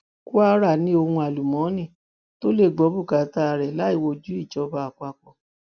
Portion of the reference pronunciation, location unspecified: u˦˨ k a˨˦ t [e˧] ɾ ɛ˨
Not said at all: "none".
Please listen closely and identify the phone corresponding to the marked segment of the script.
a˧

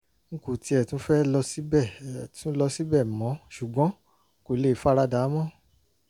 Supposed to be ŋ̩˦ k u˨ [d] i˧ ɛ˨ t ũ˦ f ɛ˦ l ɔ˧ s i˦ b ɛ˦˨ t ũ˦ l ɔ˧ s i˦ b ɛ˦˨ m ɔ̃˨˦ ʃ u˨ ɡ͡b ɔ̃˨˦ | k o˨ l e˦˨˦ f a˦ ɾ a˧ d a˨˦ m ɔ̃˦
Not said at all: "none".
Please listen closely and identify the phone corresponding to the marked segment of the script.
t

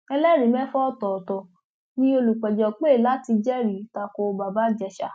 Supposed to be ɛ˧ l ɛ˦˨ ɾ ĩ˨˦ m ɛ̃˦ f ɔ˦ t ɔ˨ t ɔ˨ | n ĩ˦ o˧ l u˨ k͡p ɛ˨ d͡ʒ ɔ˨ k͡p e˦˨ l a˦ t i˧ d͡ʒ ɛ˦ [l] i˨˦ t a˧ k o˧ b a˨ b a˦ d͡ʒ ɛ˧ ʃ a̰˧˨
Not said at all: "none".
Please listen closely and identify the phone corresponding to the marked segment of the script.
ɾ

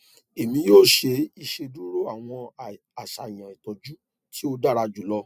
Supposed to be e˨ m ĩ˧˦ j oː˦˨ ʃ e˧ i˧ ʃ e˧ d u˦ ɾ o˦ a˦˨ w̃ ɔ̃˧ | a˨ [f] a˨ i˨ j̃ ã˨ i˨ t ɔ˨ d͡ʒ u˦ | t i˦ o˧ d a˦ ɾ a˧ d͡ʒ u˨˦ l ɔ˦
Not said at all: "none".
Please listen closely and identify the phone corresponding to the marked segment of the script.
ʃ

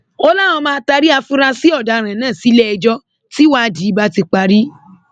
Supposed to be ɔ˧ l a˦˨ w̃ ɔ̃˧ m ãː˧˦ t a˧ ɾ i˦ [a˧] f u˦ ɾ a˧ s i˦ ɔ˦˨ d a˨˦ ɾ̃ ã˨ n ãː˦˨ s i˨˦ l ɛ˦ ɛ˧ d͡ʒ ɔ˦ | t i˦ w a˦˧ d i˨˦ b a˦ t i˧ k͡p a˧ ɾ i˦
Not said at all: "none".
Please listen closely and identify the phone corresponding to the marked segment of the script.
a˧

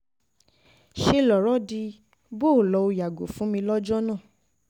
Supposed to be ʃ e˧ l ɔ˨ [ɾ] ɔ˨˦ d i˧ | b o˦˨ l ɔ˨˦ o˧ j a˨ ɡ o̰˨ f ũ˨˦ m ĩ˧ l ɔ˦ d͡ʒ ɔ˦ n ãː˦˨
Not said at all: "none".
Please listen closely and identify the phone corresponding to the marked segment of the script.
ɾ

